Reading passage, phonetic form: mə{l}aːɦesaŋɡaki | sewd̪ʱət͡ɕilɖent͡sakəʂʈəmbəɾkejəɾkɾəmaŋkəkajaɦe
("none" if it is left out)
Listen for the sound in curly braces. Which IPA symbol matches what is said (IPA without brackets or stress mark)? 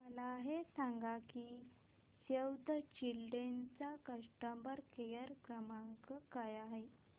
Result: l